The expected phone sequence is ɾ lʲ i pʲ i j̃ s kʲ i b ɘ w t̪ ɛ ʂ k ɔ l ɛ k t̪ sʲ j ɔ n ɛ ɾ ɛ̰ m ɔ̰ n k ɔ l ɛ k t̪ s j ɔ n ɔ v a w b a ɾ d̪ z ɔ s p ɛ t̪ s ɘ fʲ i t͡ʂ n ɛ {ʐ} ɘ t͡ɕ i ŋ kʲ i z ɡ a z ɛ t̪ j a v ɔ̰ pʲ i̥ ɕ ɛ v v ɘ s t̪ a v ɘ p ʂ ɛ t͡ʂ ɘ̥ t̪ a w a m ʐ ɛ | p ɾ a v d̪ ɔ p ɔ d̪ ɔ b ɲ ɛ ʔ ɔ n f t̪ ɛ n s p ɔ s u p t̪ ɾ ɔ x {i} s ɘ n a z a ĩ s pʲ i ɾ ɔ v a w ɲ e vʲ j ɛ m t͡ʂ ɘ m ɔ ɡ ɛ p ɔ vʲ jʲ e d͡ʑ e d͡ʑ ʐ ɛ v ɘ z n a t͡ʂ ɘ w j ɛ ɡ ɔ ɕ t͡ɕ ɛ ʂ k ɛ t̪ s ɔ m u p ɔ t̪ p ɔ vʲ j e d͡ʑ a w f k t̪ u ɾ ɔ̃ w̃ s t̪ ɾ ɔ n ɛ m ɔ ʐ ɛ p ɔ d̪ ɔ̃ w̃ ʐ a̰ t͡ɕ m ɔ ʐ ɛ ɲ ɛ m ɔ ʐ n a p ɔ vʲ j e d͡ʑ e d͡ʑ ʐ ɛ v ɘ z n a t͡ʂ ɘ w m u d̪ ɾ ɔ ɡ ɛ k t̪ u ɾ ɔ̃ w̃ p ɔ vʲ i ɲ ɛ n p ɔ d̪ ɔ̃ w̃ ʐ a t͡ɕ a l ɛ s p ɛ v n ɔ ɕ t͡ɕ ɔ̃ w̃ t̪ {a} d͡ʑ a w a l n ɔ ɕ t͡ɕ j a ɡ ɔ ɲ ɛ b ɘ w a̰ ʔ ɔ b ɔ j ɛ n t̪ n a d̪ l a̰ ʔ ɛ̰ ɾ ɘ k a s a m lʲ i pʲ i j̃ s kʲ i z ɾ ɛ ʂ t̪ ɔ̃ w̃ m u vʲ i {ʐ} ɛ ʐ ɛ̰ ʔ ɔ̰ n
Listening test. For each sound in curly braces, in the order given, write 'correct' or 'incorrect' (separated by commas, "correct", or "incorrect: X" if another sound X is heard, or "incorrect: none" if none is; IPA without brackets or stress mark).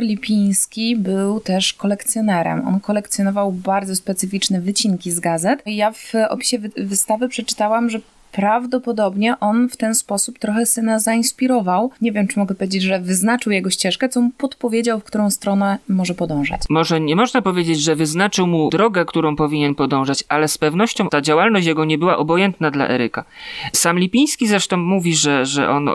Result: incorrect: v, incorrect: ɛ, correct, correct